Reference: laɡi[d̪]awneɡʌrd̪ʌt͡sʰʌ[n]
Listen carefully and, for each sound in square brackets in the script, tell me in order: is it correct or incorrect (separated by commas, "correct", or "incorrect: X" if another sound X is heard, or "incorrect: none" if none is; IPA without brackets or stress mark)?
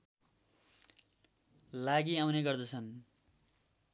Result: incorrect: none, correct